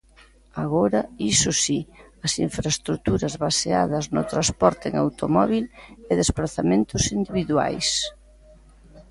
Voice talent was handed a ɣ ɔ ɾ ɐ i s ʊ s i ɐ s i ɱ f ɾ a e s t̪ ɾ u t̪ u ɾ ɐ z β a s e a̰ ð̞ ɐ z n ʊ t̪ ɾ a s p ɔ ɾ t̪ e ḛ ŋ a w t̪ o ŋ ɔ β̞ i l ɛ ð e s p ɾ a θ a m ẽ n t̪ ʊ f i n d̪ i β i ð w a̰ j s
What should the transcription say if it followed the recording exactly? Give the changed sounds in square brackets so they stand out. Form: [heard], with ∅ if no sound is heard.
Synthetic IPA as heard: a ɣ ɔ ɾ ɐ i s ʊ s i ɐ s i ɱ f ɾ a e s t̪ ɾ u t̪ u ɾ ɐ z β a s e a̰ ð̞ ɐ z n ʊ t̪ ɾ a s p ɔ ɾ t̪ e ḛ ŋ a w t̪ o [m] ɔ β̞ i l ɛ ð e s p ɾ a θ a m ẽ n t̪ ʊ [s] i n d̪ i β i ð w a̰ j s